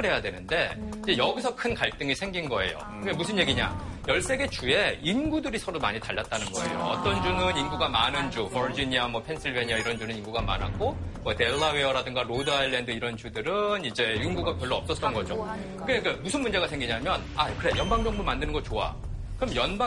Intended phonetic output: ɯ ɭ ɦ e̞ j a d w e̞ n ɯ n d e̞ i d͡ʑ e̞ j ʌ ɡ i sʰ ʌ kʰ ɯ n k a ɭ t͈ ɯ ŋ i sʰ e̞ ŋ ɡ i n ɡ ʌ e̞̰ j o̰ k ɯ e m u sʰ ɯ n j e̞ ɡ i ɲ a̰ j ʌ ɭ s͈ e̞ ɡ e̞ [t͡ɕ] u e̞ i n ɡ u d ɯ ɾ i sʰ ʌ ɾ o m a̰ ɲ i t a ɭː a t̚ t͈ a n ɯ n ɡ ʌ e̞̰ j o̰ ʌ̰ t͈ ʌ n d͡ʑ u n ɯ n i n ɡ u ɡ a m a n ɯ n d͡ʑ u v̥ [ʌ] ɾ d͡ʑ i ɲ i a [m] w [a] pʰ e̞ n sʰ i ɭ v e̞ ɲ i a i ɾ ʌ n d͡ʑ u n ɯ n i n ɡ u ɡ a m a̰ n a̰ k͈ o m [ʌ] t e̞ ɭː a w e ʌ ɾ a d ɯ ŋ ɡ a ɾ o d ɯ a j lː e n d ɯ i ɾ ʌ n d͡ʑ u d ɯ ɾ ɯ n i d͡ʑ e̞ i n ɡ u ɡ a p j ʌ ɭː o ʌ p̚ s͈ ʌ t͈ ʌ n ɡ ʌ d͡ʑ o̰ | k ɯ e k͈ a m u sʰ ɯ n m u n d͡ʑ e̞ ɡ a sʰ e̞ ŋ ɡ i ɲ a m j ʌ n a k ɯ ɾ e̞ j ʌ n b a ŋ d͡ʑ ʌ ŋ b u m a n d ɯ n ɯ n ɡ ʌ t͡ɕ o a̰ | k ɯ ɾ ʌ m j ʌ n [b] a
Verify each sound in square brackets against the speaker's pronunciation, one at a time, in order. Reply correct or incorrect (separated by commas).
correct, correct, correct, incorrect, correct, correct